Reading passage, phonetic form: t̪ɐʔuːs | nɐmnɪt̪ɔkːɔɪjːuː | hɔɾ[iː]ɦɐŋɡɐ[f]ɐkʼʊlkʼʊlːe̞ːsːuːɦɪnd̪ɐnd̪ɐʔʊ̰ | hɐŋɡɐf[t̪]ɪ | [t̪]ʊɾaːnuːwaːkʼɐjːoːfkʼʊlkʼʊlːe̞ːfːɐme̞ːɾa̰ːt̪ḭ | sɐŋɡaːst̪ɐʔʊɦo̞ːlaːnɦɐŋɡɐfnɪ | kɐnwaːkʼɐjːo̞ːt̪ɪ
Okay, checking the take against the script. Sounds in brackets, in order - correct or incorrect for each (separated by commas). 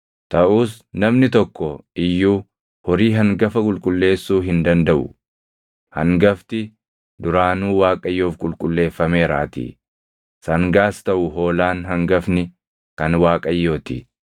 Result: correct, correct, correct, incorrect